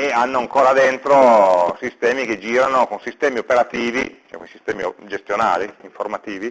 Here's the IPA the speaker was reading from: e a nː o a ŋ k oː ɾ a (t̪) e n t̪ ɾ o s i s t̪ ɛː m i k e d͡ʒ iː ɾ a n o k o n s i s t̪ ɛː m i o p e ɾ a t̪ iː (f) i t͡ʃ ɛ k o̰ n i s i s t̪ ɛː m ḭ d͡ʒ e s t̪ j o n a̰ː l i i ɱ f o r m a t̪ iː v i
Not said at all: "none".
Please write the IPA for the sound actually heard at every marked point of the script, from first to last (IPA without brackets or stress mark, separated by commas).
d̪, v